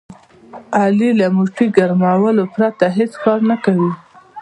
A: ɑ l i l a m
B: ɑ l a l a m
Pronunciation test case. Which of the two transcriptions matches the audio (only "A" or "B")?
A